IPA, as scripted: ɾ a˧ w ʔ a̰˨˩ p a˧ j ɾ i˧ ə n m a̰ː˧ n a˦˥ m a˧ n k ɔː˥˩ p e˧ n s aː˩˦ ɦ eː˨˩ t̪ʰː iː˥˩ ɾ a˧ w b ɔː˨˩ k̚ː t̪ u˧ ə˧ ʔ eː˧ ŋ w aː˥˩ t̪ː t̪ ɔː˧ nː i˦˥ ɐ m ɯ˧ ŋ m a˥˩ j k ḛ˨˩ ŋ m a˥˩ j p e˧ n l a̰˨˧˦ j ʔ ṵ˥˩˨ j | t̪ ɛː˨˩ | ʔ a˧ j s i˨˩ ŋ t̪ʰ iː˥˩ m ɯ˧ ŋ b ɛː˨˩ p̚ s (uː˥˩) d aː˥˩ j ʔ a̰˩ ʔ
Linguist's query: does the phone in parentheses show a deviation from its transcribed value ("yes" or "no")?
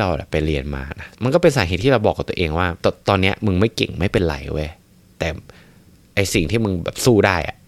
no